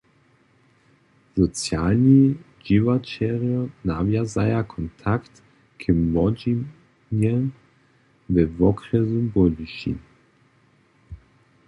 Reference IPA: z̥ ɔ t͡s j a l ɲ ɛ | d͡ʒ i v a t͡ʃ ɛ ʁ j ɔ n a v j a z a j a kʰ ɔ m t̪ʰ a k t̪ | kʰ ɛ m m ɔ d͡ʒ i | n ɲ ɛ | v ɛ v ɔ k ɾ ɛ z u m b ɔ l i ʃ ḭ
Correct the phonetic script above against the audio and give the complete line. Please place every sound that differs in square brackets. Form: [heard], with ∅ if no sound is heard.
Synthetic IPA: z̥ ɔ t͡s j a l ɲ [i] | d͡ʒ i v a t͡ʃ ɛ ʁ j ɔ n a v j a z a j a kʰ ɔ [n] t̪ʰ a k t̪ | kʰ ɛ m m ɔ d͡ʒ i | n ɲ ɛ | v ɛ v ɔ k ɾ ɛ z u m b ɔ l i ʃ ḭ